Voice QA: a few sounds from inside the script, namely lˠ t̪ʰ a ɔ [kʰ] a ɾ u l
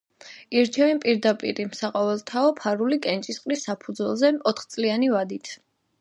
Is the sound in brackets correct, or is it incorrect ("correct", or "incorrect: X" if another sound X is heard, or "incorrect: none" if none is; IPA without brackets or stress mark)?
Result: incorrect: pʰ